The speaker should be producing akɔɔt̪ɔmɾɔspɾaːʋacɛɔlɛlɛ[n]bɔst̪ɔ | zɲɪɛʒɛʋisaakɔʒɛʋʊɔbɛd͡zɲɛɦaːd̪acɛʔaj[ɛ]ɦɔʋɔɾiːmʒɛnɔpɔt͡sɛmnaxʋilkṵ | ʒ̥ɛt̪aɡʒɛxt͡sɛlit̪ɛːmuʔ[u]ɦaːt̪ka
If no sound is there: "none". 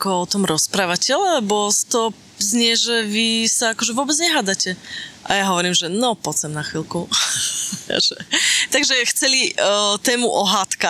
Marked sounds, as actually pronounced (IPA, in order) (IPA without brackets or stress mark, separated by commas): none, a, ɔ